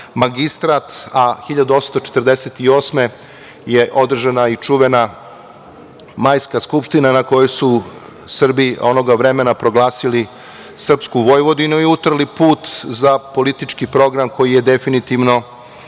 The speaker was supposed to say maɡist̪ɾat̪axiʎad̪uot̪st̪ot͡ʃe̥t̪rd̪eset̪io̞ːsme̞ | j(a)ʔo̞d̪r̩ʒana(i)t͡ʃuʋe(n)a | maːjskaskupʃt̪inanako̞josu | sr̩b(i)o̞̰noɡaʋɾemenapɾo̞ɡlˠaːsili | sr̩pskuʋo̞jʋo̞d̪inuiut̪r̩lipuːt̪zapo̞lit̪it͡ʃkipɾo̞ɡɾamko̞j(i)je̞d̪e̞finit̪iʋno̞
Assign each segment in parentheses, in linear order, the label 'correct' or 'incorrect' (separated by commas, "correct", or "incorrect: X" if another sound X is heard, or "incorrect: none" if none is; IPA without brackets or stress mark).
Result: incorrect: e, correct, correct, correct, correct